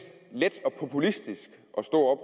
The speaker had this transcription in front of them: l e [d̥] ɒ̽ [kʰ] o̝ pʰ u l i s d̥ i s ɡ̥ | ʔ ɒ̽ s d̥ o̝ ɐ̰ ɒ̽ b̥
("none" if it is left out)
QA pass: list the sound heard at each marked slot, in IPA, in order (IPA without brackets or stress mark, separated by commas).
d̥, pʰ